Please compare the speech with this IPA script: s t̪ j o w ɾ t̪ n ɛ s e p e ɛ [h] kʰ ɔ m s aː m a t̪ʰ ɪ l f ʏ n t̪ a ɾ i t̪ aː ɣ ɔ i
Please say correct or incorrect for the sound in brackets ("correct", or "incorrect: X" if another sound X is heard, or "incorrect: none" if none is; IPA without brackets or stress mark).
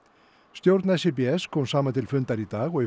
incorrect: s